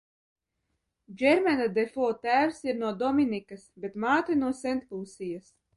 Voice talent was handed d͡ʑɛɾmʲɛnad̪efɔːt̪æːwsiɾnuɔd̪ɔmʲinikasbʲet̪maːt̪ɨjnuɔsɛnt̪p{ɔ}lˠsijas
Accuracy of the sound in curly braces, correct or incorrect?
incorrect